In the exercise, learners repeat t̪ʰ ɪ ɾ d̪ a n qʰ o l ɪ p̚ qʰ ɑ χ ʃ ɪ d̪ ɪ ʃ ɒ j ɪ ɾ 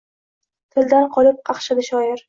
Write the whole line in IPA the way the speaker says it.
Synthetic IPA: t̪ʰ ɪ l d̪ a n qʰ ɒ l ɪ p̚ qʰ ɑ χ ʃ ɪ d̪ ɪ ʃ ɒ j ɪ ɾ